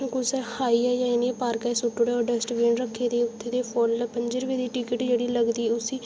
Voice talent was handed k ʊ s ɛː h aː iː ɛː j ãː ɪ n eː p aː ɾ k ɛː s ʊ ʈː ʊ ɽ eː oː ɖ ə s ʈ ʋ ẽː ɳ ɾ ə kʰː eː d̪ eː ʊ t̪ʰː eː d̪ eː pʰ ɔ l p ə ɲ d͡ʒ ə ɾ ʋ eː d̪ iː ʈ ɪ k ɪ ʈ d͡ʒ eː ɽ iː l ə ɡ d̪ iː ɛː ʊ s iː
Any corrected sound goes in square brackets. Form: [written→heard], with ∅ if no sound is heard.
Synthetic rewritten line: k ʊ s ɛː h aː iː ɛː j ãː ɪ n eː p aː ɾ k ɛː s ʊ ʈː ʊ ɽ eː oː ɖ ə s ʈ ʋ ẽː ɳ ɾ ə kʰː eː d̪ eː ʊ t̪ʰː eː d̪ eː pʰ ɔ l p ə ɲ d͡ʒ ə ɾ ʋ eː d̪ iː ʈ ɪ k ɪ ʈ d͡ʒ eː ɽ iː l ə ɡ d̪ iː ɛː ʊ s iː